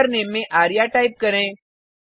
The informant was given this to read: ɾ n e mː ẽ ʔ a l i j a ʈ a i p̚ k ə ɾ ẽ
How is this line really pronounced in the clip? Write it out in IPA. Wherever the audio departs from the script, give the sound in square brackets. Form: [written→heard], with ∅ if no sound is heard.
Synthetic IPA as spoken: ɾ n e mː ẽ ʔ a [l→ɾ] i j a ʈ a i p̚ k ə ɾ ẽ